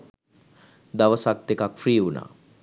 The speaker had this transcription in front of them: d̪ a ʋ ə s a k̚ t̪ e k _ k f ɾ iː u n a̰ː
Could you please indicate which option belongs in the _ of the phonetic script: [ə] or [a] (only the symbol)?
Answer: a